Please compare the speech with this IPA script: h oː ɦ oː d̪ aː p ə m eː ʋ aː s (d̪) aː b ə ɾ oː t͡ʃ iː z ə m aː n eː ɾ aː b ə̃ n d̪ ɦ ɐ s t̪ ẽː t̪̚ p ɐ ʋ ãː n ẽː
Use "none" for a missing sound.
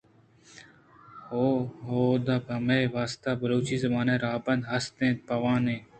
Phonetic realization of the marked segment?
t̪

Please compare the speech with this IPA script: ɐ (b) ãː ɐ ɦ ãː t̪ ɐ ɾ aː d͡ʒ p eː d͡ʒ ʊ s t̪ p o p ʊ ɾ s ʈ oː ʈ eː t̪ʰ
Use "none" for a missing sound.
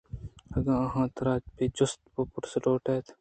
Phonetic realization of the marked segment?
ɡ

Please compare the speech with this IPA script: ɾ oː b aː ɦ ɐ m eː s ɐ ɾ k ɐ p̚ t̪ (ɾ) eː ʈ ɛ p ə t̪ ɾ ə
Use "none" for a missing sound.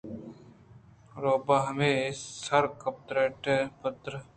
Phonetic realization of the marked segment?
ɾ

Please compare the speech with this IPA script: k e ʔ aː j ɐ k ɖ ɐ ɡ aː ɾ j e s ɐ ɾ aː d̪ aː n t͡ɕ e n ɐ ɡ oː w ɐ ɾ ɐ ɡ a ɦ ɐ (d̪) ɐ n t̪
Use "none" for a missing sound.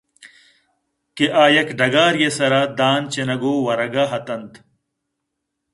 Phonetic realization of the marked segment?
t̪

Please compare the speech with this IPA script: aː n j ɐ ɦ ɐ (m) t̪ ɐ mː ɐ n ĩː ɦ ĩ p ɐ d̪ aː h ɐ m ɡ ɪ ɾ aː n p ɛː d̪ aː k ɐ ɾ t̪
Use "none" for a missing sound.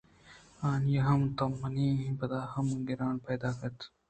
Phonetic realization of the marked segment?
m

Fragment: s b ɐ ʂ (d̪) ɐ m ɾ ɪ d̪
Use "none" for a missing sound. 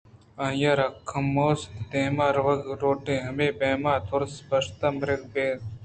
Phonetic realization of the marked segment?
t̪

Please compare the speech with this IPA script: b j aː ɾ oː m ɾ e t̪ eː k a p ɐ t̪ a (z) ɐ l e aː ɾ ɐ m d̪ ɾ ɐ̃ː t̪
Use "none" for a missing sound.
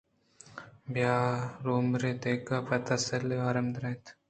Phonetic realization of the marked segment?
s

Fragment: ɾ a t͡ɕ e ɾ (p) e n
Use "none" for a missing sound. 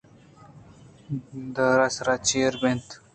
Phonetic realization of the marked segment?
b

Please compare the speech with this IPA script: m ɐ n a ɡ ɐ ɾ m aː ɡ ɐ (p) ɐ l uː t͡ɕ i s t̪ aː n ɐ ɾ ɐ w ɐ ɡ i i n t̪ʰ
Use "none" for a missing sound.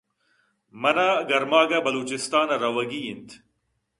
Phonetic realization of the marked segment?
b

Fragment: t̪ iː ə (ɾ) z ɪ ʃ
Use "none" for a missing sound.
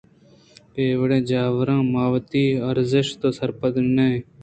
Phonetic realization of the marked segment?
ɾ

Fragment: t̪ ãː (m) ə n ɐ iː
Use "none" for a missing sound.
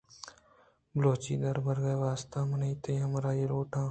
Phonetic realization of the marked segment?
m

